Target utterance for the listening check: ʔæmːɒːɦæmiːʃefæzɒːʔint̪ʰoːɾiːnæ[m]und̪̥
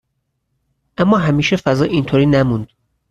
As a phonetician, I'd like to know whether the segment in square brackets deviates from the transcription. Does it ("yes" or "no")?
no